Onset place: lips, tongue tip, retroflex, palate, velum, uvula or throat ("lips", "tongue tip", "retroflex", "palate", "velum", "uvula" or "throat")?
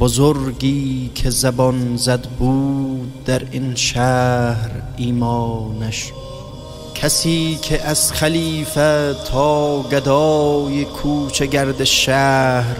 lips